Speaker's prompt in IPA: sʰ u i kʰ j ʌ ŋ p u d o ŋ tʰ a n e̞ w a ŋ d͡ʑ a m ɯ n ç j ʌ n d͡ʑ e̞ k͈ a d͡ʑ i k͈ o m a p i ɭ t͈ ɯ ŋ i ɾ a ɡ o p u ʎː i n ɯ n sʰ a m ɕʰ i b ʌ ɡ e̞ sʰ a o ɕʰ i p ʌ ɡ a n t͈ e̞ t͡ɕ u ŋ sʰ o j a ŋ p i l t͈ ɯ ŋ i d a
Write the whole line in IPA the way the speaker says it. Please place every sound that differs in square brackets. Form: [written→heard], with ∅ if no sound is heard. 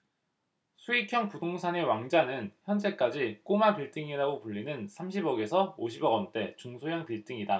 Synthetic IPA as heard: sʰ u i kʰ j ʌ ŋ p u d o ŋ [tʰ→sʰ] a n e̞ w a ŋ d͡ʑ a [m→n] ɯ n ç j ʌ n d͡ʑ e̞ k͈ a d͡ʑ i k͈ o m a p i ɭ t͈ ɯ ŋ i ɾ a ɡ o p u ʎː i n ɯ n sʰ a m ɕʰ i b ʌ ɡ e̞ sʰ [a→ʌ] o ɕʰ i [p→b] ʌ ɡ [a→ʌ] n t͈ e̞ t͡ɕ u ŋ sʰ o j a ŋ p i [l→ɭ] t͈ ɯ ŋ i d a

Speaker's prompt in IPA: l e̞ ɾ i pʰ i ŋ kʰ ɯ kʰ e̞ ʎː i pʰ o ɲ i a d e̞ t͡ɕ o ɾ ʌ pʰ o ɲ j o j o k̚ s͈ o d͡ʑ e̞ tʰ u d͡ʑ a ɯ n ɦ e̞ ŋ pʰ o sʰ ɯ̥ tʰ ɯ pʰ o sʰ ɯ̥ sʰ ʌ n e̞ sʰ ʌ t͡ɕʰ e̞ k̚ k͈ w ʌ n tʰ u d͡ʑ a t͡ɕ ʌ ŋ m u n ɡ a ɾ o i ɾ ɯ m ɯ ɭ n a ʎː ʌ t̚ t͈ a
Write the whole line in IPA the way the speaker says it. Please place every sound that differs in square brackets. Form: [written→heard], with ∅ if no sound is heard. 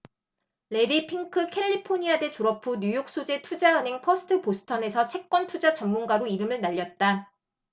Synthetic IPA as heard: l e̞ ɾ i pʰ i ŋ kʰ ɯ kʰ e̞ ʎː i pʰ o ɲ i a d e̞ t͡ɕ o ɾ ʌ pʰ [o→u] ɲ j [o→u] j o k̚ s͈ o d͡ʑ e̞ tʰ u d͡ʑ a ɯ n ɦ e̞ ŋ pʰ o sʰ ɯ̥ tʰ ɯ [pʰ→p] o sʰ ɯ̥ [sʰ→tʰ] ʌ n e̞ sʰ ʌ t͡ɕʰ e̞ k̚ k͈ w ʌ n tʰ u d͡ʑ a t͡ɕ ʌ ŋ m u n ɡ a ɾ o i ɾ ɯ m ɯ ɭ n a ʎː ʌ t̚ t͈ a

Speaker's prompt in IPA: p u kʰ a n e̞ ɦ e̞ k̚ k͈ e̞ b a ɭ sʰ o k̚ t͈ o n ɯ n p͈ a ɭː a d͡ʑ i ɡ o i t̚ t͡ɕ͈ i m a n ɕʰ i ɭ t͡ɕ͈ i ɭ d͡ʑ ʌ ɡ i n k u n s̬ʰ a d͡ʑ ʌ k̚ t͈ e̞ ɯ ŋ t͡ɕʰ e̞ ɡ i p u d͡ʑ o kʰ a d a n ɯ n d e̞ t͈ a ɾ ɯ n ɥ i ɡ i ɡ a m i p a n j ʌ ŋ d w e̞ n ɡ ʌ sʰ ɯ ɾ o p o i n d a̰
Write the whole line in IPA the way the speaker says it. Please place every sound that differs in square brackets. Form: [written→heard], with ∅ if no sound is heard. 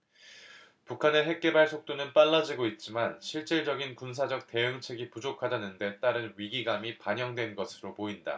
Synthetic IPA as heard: p u kʰ a n e̞ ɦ e̞ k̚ k͈ e̞ b a ɭ sʰ o k̚ t͈ o n ɯ n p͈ a ɭː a d͡ʑ i ɡ o i t̚ t͡ɕ͈ i m a n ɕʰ i ɭ t͡ɕ͈ i ɭ d͡ʑ ʌ ɡ i n k u n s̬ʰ a d͡ʑ ʌ k̚ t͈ e̞ ɯ ŋ t͡ɕʰ e̞ ɡ i p u d͡ʑ o kʰ a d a n ɯ n d e̞ t͈ a ɾ ɯ n ɥ i ɡ i ɡ a m i p a [n→ɲ] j ʌ ŋ d w e̞ n ɡ ʌ sʰ ɯ ɾ o p o i n d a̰

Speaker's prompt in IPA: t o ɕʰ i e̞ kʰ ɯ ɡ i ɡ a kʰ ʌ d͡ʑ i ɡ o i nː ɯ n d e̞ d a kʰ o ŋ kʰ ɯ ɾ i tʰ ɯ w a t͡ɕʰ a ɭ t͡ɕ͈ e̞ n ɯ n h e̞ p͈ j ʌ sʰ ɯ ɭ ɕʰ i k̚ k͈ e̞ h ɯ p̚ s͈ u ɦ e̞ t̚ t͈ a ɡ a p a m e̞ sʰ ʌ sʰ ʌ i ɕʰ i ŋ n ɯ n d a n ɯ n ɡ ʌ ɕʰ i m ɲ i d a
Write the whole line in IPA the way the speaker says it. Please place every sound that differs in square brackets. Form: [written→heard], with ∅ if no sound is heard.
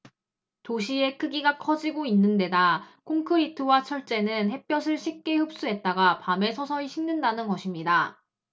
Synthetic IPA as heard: t o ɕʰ i e̞ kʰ ɯ ɡ i ɡ a kʰ ʌ d͡ʑ i ɡ o i nː ɯ n d e̞ d a kʰ o ŋ kʰ ɯ ɾ i tʰ ɯ w a t͡ɕʰ [a→ʌ] ɭ t͡ɕ͈ e̞ n ɯ n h e̞ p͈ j ʌ sʰ ɯ ɭ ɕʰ i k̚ k͈ e̞ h ɯ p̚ s͈ u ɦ e̞ t̚ t͈ a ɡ a p a m e̞ sʰ ʌ sʰ ʌ i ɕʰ i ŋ n ɯ n d a n ɯ n ɡ ʌ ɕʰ i m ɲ i d a

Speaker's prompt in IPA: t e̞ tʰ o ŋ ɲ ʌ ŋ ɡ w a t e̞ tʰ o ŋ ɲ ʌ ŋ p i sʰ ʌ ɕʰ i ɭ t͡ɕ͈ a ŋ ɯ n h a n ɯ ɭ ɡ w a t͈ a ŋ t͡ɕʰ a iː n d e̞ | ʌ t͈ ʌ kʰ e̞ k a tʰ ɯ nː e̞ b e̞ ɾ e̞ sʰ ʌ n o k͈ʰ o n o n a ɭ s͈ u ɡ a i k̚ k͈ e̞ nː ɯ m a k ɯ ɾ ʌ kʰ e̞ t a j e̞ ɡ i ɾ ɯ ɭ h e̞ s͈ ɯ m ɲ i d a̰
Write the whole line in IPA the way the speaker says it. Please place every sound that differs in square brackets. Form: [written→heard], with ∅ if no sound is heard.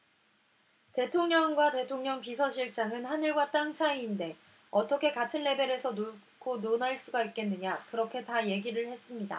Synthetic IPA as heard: t e̞ tʰ o ŋ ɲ ʌ ŋ ɡ w a t e̞ tʰ o ŋ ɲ ʌ ŋ p i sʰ ʌ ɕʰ i ɭ t͡ɕ͈ a ŋ ɯ n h a n ɯ ɭ ɡ w a t͈ a ŋ t͡ɕʰ a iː n d e̞ | ʌ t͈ ʌ kʰ e̞ k a tʰ ɯ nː e̞ b e̞ ɾ e̞ sʰ ʌ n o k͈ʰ o n o n a ɭ s͈ u ɡ a i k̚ k͈ e̞ nː ɯ [m→ɲ] a k ɯ ɾ ʌ kʰ e̞ t a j e̞ ɡ i ɾ ɯ ɭ h e̞ s͈ ɯ m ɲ i d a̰

